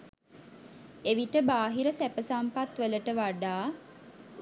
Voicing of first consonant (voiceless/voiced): voiced